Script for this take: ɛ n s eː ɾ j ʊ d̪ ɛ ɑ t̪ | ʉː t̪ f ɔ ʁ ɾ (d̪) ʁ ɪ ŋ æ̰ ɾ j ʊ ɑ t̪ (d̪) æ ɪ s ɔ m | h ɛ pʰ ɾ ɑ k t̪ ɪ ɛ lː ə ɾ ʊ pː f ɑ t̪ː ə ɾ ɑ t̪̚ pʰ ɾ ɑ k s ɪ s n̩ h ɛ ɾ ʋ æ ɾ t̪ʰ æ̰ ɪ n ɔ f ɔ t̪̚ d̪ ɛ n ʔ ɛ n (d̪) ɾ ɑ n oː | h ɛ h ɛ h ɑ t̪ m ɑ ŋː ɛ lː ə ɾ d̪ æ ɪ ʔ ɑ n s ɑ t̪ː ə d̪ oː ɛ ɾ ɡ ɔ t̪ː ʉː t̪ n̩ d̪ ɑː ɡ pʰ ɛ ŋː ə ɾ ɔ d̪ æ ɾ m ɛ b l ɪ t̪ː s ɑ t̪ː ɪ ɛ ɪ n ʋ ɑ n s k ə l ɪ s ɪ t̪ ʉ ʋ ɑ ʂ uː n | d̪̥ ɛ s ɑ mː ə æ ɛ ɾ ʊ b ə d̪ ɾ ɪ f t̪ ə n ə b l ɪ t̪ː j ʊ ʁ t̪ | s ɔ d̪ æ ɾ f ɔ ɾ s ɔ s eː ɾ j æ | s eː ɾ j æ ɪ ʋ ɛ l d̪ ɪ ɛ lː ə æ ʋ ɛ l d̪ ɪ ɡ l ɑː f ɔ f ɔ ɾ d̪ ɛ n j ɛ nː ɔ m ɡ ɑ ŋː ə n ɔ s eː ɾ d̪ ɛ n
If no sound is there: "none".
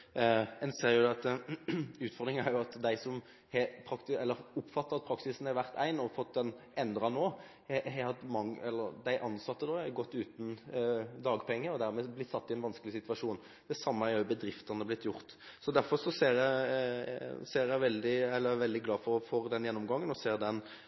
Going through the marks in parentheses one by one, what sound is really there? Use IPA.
d̪, d̪, d̪

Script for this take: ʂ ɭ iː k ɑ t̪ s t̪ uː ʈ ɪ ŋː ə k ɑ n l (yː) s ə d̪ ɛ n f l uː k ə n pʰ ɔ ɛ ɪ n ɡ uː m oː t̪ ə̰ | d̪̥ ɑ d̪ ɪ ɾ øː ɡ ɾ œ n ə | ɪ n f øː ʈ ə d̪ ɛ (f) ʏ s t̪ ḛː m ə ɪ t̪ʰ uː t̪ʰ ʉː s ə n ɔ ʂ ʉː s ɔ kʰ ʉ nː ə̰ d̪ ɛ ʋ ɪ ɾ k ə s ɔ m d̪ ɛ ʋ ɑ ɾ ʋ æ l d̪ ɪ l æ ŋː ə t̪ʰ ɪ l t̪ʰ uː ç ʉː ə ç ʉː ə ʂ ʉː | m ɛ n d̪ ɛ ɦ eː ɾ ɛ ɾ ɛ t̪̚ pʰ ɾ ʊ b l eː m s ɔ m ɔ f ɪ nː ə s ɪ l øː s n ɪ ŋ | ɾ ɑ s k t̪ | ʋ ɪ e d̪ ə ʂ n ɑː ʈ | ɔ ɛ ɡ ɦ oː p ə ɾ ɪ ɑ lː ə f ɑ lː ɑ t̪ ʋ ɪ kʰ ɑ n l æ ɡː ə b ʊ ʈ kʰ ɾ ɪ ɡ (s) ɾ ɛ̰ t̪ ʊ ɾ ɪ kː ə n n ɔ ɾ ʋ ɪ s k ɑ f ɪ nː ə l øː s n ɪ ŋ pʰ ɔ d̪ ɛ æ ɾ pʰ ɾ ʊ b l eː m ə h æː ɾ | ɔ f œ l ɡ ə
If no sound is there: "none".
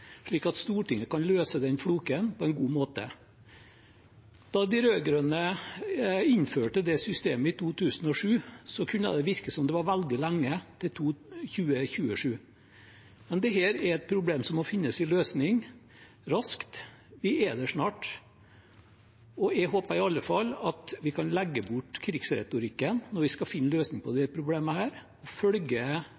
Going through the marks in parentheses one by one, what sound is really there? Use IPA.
øː, s, s

